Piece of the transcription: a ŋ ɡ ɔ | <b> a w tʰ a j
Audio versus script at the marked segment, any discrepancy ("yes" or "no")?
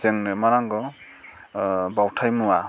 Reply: no